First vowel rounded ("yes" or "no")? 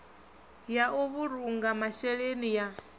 no